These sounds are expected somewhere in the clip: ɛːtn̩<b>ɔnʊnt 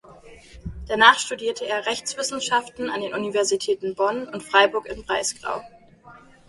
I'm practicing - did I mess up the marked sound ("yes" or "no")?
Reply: no